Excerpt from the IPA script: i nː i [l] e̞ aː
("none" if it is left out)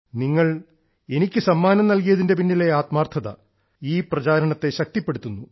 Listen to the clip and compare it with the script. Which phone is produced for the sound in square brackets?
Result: l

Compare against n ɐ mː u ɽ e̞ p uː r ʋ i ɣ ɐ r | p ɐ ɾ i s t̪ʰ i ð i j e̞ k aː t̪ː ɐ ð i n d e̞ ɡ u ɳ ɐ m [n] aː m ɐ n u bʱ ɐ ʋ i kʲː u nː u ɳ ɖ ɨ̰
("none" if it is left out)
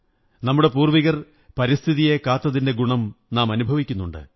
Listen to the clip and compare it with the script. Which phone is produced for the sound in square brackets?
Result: n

